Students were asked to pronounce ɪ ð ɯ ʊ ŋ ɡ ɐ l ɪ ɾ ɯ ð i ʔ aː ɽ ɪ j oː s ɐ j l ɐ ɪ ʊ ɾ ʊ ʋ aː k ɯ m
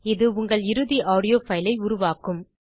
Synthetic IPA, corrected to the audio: ɪ ð ɯ ʊ ŋ ɡ ɐ ɭ ɪ ɾ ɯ ð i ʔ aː ɽ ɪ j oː f ɐ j l ɐ ɪ ʊ ɾ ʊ ʋ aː k ɯ m